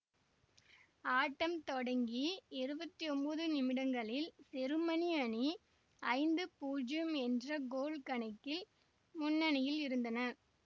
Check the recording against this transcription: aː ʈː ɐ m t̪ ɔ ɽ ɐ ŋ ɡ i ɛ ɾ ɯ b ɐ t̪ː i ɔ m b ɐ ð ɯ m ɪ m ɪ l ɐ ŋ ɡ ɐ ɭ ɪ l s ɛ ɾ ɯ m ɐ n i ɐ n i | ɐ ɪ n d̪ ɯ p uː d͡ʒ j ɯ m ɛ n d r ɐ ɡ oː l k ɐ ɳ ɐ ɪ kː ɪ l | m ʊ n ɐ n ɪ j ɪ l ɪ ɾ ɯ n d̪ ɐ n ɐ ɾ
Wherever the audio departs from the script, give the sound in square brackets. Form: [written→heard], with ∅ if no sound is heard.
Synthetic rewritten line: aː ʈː ɐ m t̪ ɔ ɽ ɐ ŋ ɡ i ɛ ɾ ɯ b ɐ t̪ː i ɔ m b ɐ ð ɯ [m→n] ɪ m ɪ [l→ɽ] ɐ ŋ ɡ ɐ ɭ ɪ l s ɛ ɾ ɯ m ɐ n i ɐ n i | ɐ ɪ n d̪ ɯ p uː d͡ʒ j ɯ m ɛ n d r ɐ ɡ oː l k ɐ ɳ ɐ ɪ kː ɪ l | m ʊ [n→nː] ɐ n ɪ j ɪ l ɪ ɾ ɯ n d̪ ɐ n ɐ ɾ